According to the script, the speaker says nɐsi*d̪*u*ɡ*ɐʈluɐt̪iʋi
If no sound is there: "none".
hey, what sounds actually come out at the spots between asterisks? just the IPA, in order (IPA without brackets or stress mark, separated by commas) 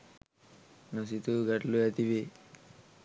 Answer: t̪, ɡ